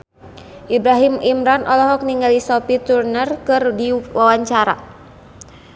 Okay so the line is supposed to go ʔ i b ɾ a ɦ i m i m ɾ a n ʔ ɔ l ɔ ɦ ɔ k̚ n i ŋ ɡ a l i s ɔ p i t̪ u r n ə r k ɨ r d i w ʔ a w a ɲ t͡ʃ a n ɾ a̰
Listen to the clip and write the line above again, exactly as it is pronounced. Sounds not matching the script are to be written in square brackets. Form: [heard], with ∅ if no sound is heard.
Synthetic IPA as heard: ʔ i b ɾ a ɦ i m i m ɾ a n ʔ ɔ l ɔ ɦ ɔ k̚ n i ŋ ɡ a l i s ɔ p i t̪ u r n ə r k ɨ r d i w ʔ a w a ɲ t͡ʃ a [∅] ɾ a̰